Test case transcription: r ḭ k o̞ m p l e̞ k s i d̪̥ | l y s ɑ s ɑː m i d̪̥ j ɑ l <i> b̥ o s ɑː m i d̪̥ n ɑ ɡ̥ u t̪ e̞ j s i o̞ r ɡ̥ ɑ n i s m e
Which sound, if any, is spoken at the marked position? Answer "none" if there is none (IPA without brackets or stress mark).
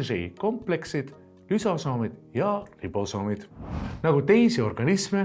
i